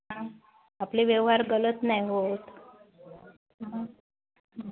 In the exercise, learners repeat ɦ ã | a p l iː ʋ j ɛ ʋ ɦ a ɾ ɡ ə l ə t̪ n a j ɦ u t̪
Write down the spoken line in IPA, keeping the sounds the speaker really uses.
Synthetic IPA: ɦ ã | a p l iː ʋ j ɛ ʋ ɦ a ɾ ɡ ə l ə t̪ n a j ɦ o t̪